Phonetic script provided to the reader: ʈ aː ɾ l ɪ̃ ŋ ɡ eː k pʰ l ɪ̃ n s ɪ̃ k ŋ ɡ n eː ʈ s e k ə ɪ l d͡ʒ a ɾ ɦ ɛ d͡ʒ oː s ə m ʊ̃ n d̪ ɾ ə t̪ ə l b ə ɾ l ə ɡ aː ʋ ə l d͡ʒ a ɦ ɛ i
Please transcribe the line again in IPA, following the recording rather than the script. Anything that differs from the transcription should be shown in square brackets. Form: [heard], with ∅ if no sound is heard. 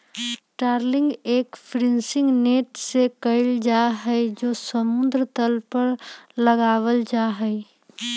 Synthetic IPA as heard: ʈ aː ɾ l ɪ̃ ŋ ɡ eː k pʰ [ɾ] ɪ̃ n s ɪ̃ [∅] ŋ ɡ n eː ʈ s e k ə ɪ l d͡ʒ a [∅] ɦ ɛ d͡ʒ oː s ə m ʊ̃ n d̪ ɾ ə t̪ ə l [p] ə ɾ l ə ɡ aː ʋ ə l d͡ʒ a ɦ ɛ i

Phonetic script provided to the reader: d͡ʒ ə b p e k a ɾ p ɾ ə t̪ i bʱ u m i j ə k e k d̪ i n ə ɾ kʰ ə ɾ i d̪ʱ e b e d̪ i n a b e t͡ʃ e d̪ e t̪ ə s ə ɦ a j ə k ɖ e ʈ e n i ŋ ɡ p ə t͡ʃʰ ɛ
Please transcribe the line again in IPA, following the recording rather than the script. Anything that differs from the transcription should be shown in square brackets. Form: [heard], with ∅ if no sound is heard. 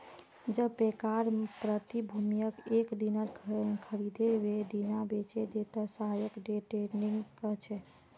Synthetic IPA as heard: d͡ʒ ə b p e k a ɾ p ɾ ə t̪ i bʱ u m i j ə k e k d̪ i n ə ɾ kʰ ə ɾ i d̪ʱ e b e d̪ i n a b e t͡ʃ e d̪ e t̪ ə s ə ɦ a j ə k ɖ e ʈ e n i ŋ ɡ [k] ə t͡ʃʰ ɛ

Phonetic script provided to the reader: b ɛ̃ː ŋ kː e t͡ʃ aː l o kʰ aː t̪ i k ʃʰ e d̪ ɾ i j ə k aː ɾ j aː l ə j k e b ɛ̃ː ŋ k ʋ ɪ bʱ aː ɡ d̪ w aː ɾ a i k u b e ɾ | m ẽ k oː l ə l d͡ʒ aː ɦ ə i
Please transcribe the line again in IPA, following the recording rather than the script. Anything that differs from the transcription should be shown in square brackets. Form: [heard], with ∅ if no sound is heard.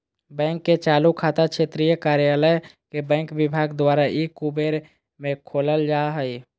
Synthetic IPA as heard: b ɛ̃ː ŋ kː e t͡ʃ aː l [u] kʰ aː t̪ [a] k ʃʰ e [t̪] ɾ i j ə k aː ɾ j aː l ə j k e b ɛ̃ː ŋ k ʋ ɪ bʱ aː ɡ d̪ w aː ɾ a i k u b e ɾ | m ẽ [kʰ] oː l ə l d͡ʒ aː ɦ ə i

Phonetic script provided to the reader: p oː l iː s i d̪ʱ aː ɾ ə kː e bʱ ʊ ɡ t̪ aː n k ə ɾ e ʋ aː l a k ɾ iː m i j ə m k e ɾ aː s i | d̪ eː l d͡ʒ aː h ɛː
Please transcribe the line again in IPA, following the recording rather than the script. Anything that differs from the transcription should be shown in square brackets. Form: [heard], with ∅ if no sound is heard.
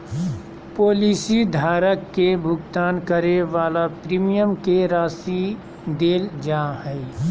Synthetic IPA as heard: p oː l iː s i d̪ʱ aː ɾ ə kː e bʱ ʊ ɡ t̪ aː n k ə ɾ e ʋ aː l a [p] ɾ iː m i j ə m k e ɾ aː s i | d̪ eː l d͡ʒ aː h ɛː

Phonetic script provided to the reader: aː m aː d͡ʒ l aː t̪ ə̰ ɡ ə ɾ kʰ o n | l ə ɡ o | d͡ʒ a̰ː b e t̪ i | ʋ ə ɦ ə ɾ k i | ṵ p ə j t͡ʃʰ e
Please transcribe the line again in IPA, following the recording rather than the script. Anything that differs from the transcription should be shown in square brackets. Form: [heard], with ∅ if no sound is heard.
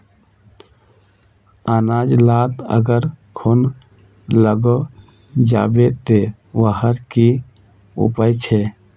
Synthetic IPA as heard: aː [n] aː d͡ʒ l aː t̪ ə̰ ɡ ə ɾ kʰ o n | l ə ɡ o | d͡ʒ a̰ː b e t̪ [e] | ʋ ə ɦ ə ɾ k i | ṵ p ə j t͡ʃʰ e

